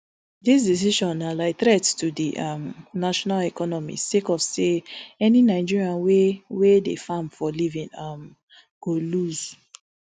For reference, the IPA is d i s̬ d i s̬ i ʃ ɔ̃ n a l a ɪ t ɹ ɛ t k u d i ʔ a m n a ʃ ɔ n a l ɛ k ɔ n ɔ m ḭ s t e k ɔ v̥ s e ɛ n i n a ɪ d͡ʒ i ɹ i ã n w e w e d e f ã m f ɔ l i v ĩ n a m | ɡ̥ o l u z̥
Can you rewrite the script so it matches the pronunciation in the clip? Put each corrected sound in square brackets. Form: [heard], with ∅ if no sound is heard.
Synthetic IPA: d i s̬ d i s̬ i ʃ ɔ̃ n a l a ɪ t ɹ ɛ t [t] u d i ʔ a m n a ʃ ɔ n a l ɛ k ɔ n ɔ m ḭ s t e k ɔ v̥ s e ɛ n i n a ɪ d͡ʒ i ɹ i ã n w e w e d e f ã m f ɔ l i v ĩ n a m | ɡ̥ o l u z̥